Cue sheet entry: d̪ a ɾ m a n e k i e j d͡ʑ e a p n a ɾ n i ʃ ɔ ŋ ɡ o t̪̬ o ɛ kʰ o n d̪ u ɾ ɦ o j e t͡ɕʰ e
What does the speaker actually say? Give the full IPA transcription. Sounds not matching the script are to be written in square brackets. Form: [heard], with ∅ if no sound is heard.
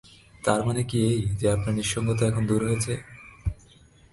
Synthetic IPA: [t̪] a ɾ m a n e k i e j d͡ʑ e a p n a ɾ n i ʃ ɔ ŋ ɡ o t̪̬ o ɛ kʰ o n d̪ u ɾ ɦ o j e t͡ɕʰ e